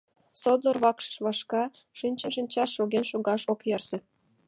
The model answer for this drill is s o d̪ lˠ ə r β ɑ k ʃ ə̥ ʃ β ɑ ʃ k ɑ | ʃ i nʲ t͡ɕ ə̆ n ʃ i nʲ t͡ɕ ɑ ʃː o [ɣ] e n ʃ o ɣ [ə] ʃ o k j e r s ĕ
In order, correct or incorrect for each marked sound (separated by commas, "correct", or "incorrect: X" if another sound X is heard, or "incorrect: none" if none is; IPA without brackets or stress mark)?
correct, incorrect: ɑ